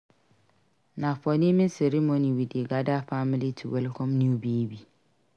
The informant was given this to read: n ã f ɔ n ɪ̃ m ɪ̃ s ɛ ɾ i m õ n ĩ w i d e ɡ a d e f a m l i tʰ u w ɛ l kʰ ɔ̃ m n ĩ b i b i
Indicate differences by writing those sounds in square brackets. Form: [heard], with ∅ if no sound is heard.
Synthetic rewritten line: n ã f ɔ n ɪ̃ m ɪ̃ s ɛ ɾ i m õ n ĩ w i d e ɡ a d [a] f a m l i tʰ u w ɛ l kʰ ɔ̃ m n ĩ b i b i